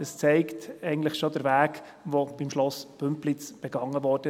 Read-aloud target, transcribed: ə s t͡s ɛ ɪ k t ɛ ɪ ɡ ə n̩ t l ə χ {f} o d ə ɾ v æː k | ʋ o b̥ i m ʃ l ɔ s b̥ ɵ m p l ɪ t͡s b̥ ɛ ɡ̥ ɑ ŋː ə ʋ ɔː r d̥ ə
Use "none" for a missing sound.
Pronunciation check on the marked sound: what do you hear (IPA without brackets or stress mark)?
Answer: ʃ